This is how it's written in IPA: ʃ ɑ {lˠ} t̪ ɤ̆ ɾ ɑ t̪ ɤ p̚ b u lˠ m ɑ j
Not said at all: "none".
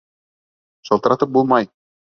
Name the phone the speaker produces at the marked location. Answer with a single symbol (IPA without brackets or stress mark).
lˠ